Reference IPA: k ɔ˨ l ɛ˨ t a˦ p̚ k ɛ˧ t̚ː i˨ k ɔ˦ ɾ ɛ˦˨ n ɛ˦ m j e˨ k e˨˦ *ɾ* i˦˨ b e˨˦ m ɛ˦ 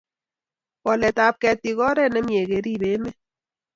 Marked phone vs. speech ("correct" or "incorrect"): correct